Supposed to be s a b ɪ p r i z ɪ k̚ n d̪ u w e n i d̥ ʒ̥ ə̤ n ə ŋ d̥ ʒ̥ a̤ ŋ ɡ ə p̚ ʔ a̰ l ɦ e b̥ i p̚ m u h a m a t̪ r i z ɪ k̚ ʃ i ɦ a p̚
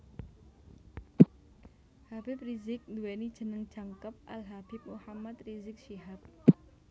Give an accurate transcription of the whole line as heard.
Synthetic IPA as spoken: h a b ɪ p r i z ɪ k̚ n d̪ u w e n i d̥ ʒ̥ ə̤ n ə ŋ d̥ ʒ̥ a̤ ŋ k ə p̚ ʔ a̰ l ɦ a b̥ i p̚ m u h a m a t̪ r i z ɪ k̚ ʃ i ɦ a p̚